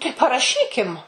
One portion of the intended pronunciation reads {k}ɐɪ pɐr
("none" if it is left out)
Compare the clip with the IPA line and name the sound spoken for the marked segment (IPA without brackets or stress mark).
t